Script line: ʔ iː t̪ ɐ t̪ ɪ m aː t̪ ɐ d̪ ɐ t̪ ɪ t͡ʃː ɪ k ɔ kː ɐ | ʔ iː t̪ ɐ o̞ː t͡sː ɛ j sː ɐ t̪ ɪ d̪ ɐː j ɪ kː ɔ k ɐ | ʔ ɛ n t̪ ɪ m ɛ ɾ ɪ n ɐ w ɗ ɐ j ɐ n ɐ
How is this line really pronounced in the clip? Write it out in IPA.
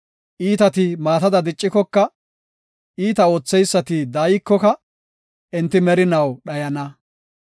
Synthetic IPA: ʔ iː t̪ ɐ t̪ ɪ m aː t̪ ɐ d̪ ɐ d̪ ɪ t͡ʃʼː ɪ k ɔ kː ɐ | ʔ iː t̪ ɐ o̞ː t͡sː ɛ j sː ɐ t̪ ɪ d̪ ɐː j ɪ kː ɔ k ɐ | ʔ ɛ n t̪ ɪ m ɛ ɾ ɪ n ɐ w ɗ ɐ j ɐ n ɐ